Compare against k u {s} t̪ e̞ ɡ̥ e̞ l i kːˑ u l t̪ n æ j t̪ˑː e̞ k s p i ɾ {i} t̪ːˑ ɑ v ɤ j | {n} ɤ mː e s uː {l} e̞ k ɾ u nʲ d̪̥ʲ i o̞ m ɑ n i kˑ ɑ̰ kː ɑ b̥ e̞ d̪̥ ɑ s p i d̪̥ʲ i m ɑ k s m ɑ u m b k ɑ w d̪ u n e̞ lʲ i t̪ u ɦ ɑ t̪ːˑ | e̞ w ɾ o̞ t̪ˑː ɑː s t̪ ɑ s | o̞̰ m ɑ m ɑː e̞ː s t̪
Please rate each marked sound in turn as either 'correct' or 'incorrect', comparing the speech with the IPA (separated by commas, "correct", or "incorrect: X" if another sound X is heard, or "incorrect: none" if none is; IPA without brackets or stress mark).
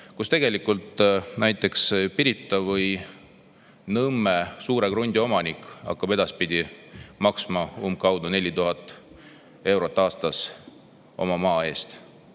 correct, correct, correct, incorrect: ɾ